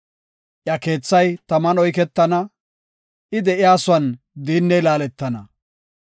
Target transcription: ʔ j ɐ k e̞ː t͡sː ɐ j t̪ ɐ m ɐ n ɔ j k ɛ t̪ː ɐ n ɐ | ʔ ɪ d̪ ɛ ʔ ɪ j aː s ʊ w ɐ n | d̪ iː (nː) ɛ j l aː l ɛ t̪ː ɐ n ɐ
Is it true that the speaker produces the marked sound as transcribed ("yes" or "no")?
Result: yes